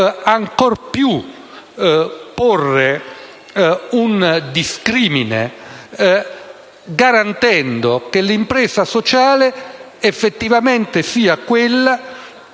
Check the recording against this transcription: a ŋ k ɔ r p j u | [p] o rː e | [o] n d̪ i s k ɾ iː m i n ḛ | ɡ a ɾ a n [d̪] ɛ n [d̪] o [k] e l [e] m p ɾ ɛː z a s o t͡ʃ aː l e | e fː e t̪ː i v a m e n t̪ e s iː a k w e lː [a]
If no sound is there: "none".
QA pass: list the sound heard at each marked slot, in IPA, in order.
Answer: p, u, t̪, d̪, k, i, a

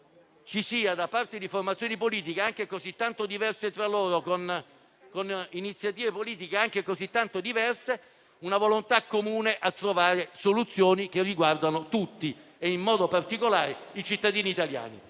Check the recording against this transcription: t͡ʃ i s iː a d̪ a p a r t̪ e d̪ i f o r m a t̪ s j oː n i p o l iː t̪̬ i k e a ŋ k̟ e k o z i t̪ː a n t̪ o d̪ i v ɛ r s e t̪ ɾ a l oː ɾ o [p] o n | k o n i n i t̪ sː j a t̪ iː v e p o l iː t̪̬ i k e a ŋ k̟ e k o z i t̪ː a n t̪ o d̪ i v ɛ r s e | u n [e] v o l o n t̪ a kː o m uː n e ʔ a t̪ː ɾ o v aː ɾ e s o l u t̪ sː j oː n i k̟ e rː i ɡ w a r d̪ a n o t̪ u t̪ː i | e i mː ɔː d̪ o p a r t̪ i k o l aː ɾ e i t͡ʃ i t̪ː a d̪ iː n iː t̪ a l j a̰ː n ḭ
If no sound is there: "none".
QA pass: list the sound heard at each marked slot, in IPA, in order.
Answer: k, a

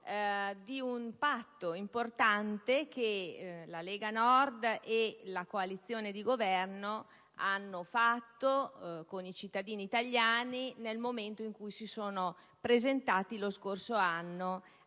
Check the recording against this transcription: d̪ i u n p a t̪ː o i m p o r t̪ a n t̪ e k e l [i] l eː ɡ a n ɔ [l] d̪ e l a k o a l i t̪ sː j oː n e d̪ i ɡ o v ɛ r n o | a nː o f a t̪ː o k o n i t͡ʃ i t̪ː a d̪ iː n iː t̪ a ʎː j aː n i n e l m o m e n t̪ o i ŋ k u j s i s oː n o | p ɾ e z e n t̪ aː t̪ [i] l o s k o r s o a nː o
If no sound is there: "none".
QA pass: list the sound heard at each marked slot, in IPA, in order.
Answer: a, r, i

